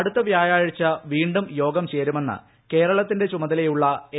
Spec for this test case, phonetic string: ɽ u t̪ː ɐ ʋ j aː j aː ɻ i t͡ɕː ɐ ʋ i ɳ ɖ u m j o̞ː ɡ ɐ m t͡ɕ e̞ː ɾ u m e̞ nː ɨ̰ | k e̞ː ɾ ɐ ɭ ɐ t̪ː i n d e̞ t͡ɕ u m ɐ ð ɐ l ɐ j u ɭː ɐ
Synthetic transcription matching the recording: ɽ u t̪ː ɐ ʋ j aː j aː ɻ i t͡ɕː ɐ ʋ iː ɳ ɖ u m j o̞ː ɡ ɐ m t͡ɕ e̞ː ɾ u m e̞ nː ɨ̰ | k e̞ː ɾ ɐ ɭ ɐ t̪ː i n d e̞ t͡ɕ u m ɐ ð ɐ l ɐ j u ɭː ɐ